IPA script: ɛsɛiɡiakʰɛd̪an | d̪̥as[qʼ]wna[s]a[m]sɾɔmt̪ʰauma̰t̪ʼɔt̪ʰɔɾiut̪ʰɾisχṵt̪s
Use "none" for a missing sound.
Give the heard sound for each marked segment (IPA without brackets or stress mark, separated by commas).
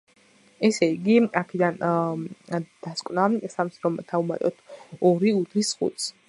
kʼ, s, m